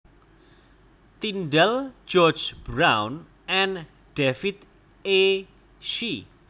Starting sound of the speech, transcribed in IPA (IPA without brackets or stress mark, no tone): t̪